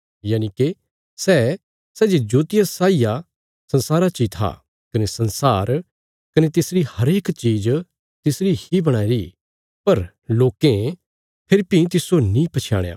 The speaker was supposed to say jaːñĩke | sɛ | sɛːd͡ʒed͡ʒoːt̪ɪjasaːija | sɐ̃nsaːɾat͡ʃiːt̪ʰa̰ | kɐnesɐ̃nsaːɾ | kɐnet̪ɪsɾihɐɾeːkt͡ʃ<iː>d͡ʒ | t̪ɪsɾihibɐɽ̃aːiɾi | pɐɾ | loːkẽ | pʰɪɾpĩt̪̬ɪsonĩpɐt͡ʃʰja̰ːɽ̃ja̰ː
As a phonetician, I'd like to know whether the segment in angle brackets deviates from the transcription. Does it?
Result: no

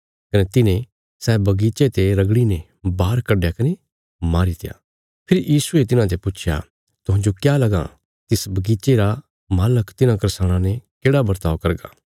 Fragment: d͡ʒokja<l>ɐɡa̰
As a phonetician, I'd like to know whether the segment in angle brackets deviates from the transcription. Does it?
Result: no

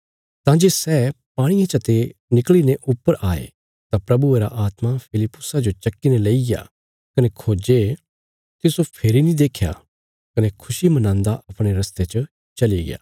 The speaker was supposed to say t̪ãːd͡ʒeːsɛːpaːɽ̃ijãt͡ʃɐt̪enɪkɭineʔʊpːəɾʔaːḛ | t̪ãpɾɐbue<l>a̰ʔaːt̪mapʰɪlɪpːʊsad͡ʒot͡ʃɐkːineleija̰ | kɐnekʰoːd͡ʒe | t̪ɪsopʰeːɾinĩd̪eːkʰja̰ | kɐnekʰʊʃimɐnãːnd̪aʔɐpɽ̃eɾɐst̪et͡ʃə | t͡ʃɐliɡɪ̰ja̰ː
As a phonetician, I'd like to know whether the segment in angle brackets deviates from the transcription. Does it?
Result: yes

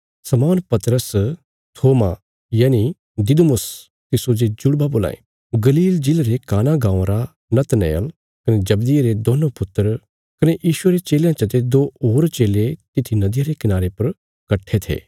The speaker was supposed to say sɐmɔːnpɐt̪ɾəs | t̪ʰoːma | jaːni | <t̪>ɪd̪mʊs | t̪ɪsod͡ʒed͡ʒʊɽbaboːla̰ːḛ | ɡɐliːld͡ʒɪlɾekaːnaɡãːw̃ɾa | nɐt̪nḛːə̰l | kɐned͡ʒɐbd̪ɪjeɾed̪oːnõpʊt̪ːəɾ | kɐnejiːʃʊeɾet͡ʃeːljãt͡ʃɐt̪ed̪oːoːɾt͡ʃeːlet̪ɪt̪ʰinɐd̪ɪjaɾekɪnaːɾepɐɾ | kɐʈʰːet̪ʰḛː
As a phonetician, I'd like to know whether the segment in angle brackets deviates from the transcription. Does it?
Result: yes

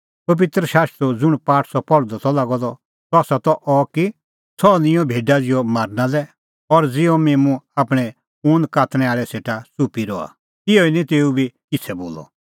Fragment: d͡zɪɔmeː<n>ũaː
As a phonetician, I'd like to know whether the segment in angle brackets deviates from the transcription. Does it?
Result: yes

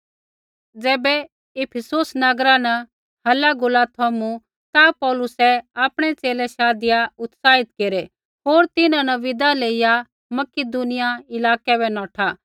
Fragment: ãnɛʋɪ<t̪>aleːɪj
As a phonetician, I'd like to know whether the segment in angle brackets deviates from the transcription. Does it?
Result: yes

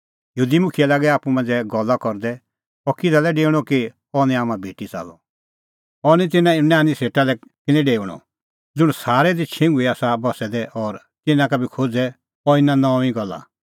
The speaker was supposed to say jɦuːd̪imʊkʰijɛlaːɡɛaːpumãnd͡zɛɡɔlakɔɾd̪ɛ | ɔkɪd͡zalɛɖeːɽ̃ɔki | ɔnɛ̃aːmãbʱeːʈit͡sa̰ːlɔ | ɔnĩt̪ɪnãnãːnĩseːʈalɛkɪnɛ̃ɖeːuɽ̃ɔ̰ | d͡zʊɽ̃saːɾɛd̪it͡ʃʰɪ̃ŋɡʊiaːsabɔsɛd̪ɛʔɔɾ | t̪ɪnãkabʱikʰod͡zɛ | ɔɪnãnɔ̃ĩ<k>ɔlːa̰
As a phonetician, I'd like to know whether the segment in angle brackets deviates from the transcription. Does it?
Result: yes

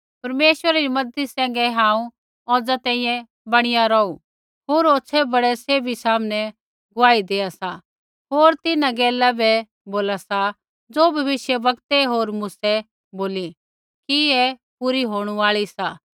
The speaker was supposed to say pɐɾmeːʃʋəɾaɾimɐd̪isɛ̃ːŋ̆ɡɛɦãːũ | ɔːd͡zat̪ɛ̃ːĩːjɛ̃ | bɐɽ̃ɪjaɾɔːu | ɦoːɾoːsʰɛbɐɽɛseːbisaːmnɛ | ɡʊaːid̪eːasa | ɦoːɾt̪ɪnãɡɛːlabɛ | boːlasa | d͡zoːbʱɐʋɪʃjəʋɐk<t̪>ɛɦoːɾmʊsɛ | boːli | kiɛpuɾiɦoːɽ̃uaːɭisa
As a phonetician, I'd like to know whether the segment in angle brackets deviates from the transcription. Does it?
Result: no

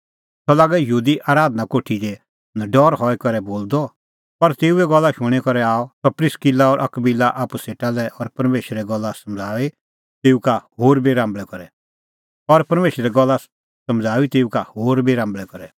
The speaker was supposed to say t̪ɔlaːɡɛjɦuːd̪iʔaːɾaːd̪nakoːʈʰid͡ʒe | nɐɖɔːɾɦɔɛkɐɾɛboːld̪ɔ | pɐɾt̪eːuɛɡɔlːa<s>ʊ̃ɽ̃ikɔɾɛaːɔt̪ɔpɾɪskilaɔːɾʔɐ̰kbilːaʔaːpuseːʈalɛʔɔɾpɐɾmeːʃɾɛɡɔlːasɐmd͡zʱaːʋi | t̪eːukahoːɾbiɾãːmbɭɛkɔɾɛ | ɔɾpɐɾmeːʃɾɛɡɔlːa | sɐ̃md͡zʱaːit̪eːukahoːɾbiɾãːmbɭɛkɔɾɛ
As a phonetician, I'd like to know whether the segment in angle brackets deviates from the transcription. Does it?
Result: yes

